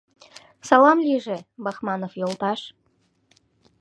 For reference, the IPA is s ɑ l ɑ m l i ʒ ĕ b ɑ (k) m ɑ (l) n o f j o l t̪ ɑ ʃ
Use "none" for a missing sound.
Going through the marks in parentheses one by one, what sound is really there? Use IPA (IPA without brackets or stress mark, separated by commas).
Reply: x, none